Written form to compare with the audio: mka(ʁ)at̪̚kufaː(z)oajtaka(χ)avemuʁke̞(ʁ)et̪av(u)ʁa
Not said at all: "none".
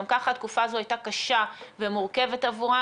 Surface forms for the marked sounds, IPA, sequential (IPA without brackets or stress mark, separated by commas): χ, z, ʃ, v, u